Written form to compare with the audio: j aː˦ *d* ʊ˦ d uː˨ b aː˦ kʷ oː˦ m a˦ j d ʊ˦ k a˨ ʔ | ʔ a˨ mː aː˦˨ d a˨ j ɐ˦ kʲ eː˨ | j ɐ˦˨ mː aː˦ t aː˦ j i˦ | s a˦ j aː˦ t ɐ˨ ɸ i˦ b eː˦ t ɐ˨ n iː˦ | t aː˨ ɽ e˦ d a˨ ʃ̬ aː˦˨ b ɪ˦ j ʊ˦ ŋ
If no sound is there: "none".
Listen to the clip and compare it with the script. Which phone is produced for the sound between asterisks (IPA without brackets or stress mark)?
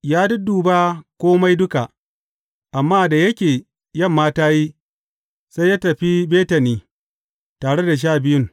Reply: d